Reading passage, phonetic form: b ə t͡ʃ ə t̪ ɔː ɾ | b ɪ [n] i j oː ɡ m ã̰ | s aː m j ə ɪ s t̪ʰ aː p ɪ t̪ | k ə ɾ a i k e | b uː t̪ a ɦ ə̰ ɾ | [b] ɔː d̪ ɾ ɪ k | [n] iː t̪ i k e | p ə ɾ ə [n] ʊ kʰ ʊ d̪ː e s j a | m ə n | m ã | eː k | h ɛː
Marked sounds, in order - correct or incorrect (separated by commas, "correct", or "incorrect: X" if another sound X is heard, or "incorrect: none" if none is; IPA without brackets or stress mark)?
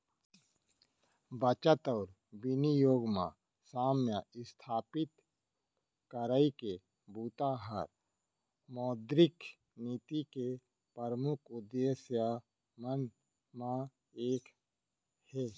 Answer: correct, incorrect: m, correct, incorrect: m